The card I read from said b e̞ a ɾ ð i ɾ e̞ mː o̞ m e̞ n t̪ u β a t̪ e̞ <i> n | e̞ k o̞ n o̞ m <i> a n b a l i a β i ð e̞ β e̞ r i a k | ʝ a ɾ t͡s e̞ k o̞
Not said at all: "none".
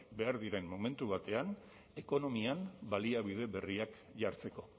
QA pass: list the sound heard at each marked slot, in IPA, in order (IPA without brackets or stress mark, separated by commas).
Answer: a, i